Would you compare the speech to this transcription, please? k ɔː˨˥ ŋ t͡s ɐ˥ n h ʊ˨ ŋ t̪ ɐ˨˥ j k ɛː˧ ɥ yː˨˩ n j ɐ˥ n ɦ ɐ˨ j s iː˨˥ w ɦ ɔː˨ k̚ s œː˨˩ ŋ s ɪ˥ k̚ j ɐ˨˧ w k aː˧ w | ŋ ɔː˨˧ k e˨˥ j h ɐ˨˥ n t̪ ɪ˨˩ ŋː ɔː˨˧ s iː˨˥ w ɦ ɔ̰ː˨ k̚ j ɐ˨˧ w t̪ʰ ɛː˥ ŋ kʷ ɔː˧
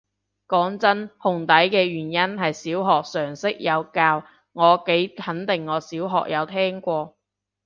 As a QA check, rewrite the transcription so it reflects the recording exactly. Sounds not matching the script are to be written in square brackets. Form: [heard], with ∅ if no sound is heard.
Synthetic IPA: k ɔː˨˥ ŋ t͡s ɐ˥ n h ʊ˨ ŋ t̪ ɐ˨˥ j k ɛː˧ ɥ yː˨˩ n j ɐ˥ n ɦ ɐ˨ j s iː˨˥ w ɦ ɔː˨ k̚ s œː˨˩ ŋ s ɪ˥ k̚ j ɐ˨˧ w k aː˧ w | ŋ ɔː˨˧ k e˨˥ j h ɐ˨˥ n t̪ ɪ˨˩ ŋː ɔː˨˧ s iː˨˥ w ɦ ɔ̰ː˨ k̚ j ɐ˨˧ w t̪ʰ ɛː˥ ŋ kʷ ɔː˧